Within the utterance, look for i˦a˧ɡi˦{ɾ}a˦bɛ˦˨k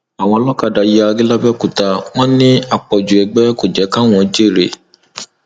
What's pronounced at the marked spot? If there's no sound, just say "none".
l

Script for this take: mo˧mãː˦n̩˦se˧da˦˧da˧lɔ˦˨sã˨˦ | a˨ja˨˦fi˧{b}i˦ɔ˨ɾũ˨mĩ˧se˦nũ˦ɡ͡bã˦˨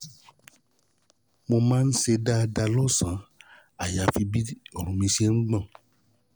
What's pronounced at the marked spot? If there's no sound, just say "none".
b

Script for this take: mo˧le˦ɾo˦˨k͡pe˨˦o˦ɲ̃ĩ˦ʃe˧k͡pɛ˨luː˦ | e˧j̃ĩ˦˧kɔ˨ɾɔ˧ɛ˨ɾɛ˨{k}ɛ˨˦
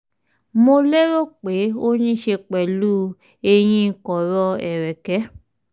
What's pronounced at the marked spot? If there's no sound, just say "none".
k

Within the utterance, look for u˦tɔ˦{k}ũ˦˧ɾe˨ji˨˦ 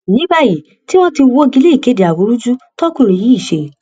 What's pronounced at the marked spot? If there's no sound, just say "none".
k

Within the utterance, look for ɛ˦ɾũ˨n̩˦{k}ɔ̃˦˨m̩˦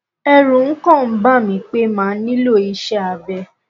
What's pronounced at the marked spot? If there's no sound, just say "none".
k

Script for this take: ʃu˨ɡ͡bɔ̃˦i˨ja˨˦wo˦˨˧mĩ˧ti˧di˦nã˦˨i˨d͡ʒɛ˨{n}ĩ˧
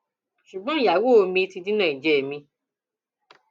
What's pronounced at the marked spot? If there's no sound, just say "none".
m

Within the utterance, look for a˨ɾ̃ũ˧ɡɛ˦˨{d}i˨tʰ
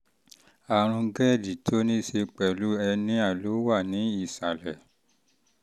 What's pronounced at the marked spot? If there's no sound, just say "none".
d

